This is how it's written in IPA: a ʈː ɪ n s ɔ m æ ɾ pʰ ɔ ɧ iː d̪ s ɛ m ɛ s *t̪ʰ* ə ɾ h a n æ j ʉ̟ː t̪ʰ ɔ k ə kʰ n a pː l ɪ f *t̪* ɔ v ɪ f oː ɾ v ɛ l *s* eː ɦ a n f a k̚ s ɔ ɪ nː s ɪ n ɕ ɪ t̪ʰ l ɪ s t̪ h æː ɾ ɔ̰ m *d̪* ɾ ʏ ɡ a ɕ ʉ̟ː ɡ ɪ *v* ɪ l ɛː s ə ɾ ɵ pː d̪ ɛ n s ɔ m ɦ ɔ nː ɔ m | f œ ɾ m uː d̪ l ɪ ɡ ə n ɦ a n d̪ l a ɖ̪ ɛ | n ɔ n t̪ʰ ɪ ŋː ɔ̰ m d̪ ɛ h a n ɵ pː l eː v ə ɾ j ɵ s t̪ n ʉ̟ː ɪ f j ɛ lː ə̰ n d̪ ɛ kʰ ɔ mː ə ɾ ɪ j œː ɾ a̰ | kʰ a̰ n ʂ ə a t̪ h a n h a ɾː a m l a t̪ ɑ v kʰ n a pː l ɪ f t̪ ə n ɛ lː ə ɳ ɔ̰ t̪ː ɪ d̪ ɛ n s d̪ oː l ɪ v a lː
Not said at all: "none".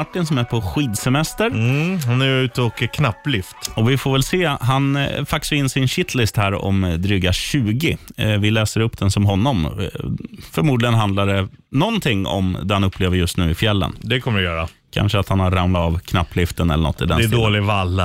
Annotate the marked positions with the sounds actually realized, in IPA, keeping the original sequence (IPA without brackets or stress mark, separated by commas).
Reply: t̪, t̪, s, d̪, v